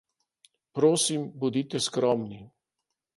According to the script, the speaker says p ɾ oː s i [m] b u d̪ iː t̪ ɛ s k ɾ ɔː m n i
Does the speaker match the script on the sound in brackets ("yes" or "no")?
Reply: yes